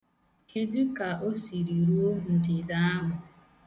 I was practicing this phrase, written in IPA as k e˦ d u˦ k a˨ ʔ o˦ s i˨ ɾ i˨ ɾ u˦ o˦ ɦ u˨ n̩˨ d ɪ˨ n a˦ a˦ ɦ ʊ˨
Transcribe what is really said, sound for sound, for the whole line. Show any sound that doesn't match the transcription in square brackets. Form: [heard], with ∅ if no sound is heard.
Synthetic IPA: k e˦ d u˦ k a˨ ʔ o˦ s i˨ ɾ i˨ ɾ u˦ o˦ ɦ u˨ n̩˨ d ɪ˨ [d] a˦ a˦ ɦ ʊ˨